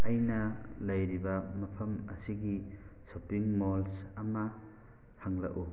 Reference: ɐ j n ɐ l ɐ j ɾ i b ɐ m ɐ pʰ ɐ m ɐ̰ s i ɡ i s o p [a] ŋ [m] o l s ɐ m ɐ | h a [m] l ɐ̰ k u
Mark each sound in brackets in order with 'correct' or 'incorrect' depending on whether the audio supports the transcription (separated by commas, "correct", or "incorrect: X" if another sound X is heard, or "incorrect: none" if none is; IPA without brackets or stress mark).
incorrect: i, correct, incorrect: ŋ